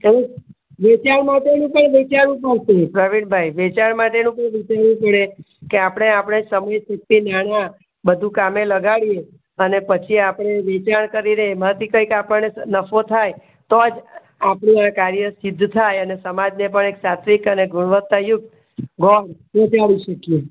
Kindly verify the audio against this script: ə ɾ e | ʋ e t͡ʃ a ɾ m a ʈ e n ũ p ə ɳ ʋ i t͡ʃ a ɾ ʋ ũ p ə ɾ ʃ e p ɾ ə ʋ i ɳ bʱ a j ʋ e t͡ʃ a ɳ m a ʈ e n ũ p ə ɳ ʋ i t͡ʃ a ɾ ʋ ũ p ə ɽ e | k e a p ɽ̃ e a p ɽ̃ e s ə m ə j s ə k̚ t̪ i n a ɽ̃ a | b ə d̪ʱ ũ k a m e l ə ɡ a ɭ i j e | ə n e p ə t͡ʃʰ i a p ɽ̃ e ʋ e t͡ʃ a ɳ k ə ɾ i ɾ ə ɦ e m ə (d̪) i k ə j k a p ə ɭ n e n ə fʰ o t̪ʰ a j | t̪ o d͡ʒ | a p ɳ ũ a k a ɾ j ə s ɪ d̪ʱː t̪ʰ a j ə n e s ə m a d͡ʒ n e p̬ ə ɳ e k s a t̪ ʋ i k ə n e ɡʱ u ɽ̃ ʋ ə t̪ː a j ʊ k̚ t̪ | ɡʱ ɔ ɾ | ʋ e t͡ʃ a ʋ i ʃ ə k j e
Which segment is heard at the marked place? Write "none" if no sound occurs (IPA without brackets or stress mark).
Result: t̪